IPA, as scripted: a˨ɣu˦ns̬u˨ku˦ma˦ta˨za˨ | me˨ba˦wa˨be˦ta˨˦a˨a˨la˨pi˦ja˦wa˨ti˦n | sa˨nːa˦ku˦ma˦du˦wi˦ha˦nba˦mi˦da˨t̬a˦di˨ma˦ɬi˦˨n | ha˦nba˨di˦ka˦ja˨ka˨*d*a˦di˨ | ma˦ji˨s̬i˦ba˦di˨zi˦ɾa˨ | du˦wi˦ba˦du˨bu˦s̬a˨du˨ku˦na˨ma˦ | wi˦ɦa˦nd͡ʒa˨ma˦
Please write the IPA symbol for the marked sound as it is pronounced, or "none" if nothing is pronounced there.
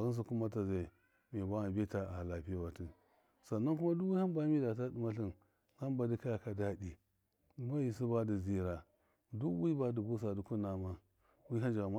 d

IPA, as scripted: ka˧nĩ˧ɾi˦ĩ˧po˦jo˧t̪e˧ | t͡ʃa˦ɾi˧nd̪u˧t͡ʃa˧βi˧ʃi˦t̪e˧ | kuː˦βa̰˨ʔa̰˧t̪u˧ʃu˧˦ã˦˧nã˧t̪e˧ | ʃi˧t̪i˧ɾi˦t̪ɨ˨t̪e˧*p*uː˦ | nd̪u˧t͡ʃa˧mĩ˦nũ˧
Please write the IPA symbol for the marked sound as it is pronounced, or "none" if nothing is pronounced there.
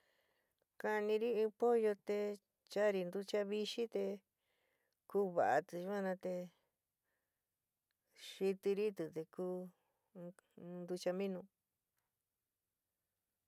k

